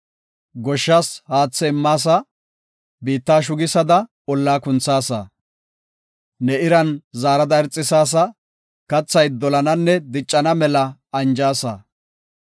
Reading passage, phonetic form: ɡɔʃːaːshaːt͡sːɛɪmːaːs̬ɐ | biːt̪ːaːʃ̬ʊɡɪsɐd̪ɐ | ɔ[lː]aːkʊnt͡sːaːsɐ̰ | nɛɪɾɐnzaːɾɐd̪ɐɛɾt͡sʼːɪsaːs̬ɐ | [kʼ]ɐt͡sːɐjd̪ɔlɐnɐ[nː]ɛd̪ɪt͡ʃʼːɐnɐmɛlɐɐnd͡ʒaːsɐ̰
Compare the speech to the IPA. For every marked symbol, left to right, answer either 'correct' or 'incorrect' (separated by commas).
correct, incorrect, correct